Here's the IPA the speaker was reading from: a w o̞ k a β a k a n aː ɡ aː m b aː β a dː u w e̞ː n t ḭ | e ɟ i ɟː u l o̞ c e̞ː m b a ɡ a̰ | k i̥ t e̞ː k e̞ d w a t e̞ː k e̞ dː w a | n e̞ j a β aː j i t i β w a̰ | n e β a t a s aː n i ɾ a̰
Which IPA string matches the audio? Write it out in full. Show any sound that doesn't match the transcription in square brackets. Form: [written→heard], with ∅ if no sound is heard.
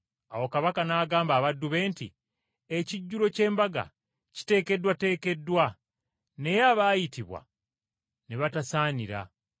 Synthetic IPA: a w o̞ k a β a k a n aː ɡ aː m b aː β a dː u [w→β] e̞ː n t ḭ | e [ɟ→c] i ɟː u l o̞ c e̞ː m b a ɡ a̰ | [k→c] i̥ t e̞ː k e̞ d w a t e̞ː k e̞ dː w a | n e̞ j a β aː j i t i β w a̰ | n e β a t a s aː n i ɾ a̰